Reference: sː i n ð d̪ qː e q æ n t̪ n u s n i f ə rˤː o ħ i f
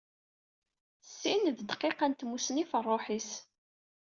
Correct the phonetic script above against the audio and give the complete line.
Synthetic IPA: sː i n ð d̪ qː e q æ n t̪ m u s n i f ə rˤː o ħ i s

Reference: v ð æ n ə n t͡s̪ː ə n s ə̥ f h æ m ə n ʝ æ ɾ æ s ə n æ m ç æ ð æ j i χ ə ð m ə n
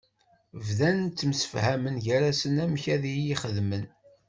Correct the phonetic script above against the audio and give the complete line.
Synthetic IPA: v ð æ n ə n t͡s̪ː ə m s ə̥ f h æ m ə n ʝ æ ɾ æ s ə n æ m ç æ ð i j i χ ə ð m ə n

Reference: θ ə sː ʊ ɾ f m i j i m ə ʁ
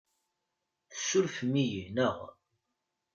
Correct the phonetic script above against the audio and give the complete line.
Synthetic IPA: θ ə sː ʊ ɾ f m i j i n ə ʁ

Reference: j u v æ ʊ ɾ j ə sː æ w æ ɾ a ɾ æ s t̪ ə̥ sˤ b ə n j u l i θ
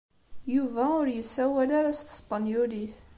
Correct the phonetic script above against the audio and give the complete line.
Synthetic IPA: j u v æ ʊ ɾ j ə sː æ w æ l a ɾ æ s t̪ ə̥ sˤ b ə n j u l i θ

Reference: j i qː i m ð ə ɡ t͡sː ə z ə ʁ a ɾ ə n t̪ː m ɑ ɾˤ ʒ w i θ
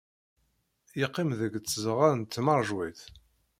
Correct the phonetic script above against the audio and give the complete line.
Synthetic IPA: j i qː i m ð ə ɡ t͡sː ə z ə ʁ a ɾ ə n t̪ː m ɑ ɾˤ ʒ w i θ

